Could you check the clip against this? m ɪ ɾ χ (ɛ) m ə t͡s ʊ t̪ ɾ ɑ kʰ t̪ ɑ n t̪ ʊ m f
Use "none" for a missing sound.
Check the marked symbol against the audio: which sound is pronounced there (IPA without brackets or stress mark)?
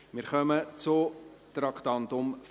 œ